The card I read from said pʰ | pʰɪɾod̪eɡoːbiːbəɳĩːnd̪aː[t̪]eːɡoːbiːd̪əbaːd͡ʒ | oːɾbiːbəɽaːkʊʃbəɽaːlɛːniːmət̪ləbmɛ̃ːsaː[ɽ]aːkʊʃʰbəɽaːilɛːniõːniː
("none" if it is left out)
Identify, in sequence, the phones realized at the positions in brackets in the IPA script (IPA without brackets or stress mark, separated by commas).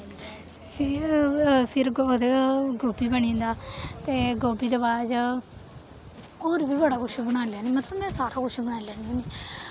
t̪, ɾ